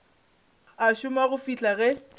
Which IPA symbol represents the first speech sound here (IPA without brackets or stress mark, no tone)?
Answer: a